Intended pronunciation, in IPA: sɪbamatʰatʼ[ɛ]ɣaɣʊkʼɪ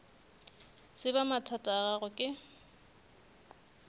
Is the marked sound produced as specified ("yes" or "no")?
no